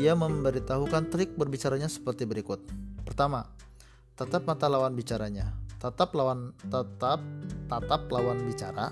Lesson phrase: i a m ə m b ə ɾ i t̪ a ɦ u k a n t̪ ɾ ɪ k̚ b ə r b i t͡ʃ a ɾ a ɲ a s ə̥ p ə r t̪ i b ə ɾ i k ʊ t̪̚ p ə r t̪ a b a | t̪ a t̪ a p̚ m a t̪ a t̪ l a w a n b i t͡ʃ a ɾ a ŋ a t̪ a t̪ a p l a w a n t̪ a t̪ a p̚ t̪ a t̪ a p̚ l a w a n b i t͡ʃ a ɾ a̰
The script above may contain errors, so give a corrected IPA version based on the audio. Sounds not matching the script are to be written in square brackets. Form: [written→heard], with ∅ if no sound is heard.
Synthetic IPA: i a m ə m b ə ɾ i t̪ a ɦ u k a n t̪ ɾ ɪ k̚ b ə r b i t͡ʃ a ɾ a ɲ a s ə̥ p ə r t̪ i b ə ɾ i k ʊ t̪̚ p ə r t̪ a [b→m] a | t̪ a t̪ a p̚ m a t̪ a [t̪→∅] l a w a n b i t͡ʃ a ɾ a [ŋ→ɲ] a t̪ a t̪ a p l a w a n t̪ a t̪ a p̚ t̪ a t̪ a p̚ l a w a n b i t͡ʃ a ɾ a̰